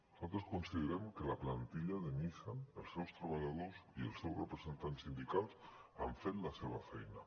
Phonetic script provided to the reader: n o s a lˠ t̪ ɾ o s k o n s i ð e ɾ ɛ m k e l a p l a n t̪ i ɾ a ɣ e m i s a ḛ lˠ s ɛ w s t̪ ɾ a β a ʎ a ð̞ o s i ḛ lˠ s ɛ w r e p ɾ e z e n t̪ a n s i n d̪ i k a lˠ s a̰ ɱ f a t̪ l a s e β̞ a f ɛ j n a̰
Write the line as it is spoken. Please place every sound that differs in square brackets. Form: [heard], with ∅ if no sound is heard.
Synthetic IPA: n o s a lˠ t̪ ɾ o s k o n s i ð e ɾ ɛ m k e l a p l a n t̪ i [ʎ] a [ð] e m i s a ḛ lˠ s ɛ w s t̪ ɾ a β a ʎ a ð̞ o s i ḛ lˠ s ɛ w r e p ɾ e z e n t̪ a n s i n d̪ i k a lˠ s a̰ ɱ f [e] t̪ l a s e β̞ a f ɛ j n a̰

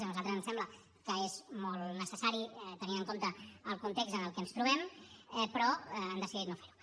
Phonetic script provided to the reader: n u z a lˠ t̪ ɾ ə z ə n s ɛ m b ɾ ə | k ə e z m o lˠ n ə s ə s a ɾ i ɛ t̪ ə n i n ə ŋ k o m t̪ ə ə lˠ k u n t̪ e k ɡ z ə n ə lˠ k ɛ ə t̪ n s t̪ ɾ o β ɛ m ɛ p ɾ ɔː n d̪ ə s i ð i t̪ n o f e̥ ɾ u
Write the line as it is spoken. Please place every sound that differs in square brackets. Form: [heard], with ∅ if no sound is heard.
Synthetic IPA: n u z a lˠ t̪ ɾ ə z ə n s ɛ m b [l] ə | k ə e z m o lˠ n ə s ə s a ɾ i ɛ t̪ ə n i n ə ŋ k o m t̪ ə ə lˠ k u n t̪ e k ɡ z ə n ə lˠ k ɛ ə [∅] n s t̪ ɾ [u] β ɛ m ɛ p ɾ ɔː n d̪ ə s i ð i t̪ n o f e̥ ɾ u

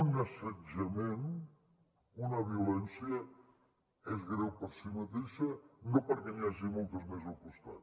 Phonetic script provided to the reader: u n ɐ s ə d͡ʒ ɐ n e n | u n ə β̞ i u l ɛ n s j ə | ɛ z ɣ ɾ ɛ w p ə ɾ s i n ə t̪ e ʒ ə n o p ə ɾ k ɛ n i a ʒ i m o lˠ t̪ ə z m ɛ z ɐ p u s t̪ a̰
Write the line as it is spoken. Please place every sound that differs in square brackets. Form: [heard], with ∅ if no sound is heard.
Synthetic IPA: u n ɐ s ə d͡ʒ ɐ [m] e n | u n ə β̞ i u l ɛ n s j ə | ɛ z ɣ ɾ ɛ w p ə ɾ s i [m] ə t̪ e [ʃ] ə n o p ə ɾ k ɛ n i a ʒ i m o lˠ t̪ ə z m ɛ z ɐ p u s t̪ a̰

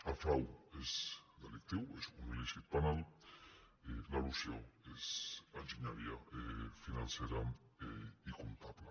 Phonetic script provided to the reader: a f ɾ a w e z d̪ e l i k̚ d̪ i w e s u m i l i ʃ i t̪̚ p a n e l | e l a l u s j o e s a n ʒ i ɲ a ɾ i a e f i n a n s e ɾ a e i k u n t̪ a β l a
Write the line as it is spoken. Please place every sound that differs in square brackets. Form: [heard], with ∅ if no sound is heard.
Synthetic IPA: a f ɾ a w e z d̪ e l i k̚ [t̪] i w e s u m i l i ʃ i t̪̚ p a n [a] l | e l a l u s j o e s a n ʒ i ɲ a ɾ i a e f i n a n s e ɾ a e i k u n t̪ a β l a

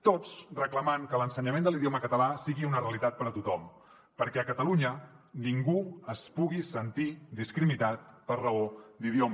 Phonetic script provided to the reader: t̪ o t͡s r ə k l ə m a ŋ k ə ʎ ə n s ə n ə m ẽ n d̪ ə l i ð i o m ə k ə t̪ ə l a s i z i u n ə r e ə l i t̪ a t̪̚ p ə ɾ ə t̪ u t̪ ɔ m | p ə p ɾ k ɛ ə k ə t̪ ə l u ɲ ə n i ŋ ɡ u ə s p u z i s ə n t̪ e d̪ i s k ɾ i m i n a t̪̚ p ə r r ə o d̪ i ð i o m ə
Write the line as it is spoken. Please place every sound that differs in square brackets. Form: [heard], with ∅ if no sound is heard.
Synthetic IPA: t̪ o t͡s r ə k l ə m a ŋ k ə [l] ə n s ə [ɲ] ə m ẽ n d̪ ə l i ð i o m ə k ə t̪ ə l a s i [ɣ] i u n ə r e ə l i t̪ a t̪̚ p ə ɾ ə t̪ u t̪ ɔ m | p ə [∅] ɾ k ɛ ə k ə t̪ ə l u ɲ ə n i ŋ ɡ u ə s p u [ɣ] i s ə n t̪ [i] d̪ i s k ɾ i m i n a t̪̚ p ə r r ə o d̪ i ð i o m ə

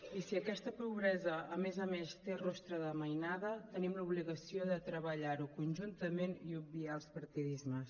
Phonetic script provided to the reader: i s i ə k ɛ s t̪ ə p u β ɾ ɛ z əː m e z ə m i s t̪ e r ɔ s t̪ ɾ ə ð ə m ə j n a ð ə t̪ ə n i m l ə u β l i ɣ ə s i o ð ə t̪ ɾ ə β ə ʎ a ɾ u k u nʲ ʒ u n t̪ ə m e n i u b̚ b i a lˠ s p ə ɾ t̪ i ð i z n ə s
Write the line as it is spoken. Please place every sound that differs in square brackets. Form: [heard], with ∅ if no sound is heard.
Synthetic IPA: i s i ə k ɛ s t̪ ə p u β ɾ ɛ z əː m e z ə m [e] s t̪ e r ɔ s t̪ ɾ ə ð ə m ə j n a ð ə t̪ ə n i m l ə u β l i ɣ ə s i o ð ə t̪ ɾ ə β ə ʎ a ɾ u k u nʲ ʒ u n t̪ ə m e n i u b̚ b i a lˠ s p ə ɾ t̪ i ð i z [m] ə s

